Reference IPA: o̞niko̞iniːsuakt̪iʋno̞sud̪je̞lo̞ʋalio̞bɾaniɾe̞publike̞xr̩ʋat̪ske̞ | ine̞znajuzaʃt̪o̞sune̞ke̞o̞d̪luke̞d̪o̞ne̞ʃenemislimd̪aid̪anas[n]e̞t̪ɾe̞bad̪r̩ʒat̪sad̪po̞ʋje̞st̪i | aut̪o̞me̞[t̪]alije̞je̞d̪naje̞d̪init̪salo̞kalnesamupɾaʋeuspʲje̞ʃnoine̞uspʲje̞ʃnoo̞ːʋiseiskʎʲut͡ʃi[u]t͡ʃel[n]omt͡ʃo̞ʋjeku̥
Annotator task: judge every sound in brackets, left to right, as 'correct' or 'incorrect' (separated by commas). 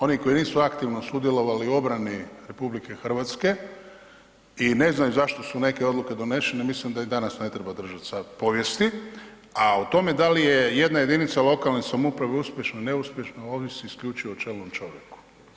correct, incorrect, incorrect, correct